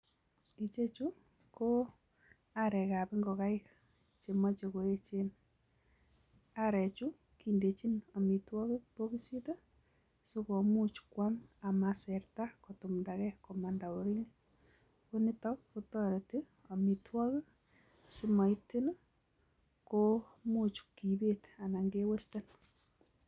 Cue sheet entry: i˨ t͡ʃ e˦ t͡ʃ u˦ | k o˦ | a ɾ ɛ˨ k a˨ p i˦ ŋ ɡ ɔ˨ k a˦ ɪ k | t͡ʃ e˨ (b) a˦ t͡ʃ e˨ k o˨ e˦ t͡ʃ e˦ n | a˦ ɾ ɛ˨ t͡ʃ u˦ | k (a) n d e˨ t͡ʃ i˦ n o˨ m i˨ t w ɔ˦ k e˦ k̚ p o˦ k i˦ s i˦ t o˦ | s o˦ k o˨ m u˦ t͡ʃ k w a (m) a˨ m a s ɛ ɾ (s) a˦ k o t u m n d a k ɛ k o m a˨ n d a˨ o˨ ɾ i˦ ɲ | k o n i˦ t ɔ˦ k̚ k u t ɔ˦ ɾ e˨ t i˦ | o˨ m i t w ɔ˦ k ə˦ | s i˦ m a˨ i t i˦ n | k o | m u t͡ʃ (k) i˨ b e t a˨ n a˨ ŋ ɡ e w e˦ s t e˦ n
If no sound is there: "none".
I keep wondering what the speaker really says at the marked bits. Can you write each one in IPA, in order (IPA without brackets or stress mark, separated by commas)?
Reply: m, i, m, t, k